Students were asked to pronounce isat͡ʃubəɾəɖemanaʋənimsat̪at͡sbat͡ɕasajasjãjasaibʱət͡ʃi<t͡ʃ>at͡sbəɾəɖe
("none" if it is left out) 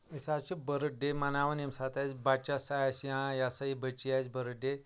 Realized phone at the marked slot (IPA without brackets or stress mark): none